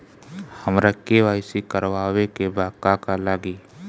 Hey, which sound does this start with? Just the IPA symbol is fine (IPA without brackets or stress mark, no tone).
h